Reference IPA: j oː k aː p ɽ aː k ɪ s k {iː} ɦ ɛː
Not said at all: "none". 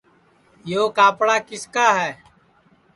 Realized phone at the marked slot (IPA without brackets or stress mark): aː